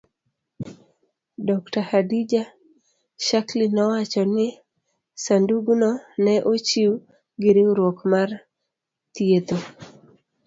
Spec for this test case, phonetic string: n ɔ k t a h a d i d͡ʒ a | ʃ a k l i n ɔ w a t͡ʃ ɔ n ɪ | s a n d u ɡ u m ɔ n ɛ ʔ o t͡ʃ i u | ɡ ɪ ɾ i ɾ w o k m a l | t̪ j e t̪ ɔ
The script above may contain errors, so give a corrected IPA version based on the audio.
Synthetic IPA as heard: d ɔ k t a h a d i d͡ʒ a | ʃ a k l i n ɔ w a t͡ʃ ɔ n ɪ | s a n d u ɡ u n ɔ n ɛ ʔ o t͡ʃ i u | ɡ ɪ ɾ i ɾ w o k m a r | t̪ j e t̪ o